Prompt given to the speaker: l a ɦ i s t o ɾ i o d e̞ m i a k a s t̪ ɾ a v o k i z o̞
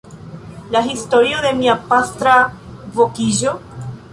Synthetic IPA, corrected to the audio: l a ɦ i s t o ɾ i o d e̞ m i a p a s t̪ ɾ a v o k i ʒ o̞